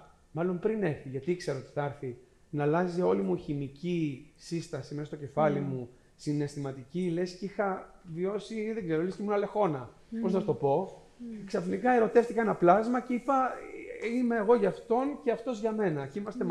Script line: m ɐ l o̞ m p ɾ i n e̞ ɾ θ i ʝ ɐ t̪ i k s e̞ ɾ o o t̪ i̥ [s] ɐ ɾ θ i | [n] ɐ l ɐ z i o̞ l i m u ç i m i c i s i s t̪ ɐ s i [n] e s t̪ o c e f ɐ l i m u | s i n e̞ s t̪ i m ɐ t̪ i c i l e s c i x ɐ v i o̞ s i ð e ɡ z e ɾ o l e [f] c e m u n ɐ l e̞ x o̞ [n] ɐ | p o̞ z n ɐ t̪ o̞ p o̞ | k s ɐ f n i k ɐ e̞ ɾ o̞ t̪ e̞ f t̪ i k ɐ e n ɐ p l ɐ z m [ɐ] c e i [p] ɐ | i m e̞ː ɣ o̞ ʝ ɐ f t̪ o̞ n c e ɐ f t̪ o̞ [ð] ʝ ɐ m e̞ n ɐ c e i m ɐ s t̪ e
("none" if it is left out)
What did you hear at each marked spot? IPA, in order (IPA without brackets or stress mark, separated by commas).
θ, n, m, s, n, ɐ, p, z